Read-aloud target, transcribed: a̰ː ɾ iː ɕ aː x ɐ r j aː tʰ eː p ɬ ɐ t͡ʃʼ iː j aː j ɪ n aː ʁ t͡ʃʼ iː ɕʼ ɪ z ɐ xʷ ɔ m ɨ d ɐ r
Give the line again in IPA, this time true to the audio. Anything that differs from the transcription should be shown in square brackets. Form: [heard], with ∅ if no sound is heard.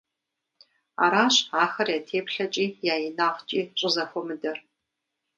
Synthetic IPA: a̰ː ɾ [aː] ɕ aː x ɐ r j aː tʰ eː p ɬ ɐ t͡ʃʼ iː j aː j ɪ n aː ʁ t͡ʃʼ iː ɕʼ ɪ z ɐ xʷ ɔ m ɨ d ɐ r